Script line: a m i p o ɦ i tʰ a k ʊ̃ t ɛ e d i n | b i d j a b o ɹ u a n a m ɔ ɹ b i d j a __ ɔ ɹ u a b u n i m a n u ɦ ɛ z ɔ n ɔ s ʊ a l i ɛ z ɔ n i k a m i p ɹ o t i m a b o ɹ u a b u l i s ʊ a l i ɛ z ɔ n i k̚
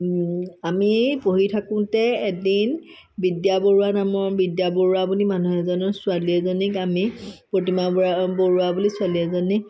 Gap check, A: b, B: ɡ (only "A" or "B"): A